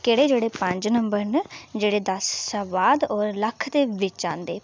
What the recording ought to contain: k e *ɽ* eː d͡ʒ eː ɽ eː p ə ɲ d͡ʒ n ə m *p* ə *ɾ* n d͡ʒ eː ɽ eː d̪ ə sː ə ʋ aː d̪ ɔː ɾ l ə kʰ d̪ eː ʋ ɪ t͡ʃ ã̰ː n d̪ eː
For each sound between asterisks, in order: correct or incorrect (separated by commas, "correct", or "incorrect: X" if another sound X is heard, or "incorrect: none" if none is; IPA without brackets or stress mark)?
correct, incorrect: b, correct